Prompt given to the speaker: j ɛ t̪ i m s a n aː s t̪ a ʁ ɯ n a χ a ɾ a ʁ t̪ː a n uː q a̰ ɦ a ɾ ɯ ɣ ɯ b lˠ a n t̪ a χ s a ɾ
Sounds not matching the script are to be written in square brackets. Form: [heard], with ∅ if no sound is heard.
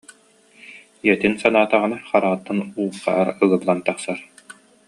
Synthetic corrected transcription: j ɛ t̪ i [n] s a n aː [∅] t̪ a ʁ ɯ n a χ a ɾ a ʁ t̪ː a n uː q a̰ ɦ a ɾ ɯ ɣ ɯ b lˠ a n t̪ a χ s a ɾ